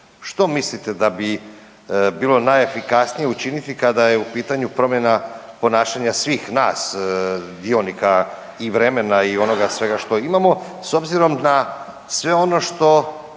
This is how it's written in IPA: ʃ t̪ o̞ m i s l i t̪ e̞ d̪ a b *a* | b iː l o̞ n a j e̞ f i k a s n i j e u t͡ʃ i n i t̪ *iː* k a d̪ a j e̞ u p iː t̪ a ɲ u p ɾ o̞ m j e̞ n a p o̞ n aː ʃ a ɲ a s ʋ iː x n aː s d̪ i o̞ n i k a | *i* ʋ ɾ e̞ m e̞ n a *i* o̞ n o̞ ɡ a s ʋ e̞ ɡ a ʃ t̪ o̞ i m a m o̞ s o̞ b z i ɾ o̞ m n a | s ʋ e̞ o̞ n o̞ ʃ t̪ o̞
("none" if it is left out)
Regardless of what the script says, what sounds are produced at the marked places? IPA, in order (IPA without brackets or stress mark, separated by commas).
i, i, i, i